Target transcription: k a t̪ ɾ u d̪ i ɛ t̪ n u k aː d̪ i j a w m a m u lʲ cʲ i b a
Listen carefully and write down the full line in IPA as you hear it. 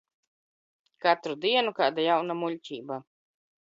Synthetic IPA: k a t̪ ɾ u d̪ i ɛ n u k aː d̪ a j a w n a m u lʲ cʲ iː b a